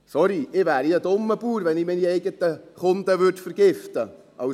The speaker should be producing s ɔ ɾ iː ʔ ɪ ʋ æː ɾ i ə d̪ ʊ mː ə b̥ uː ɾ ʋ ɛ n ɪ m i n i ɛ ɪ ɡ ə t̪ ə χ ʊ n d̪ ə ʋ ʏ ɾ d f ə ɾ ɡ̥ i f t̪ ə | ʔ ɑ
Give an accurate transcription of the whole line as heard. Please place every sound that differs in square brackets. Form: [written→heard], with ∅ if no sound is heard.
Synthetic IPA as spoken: s ɔ ɾ [iː→i] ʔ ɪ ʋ æː ɾ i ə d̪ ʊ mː ə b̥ uː ɾ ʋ ɛ n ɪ m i n i ɛ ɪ ɡ ə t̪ ə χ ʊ n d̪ ə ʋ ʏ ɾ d f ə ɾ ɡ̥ [i→ɪ] f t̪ ə | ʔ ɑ